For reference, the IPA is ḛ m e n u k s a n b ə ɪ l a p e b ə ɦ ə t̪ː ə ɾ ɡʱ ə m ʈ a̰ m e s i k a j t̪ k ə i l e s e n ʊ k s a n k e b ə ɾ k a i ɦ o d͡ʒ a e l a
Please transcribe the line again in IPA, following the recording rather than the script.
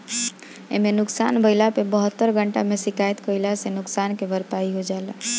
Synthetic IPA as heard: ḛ m e n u k s a n b ə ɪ l a p e b ə ɦ ə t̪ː ə ɾ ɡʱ ə ɳ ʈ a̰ m e s i k a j t̪ k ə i l a s e n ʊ k s a n k e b ə ɾ p a i ɦ o d͡ʒ a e l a